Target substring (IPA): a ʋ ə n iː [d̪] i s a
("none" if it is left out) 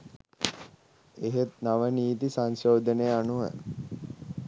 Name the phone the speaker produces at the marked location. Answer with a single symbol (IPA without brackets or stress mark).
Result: t̪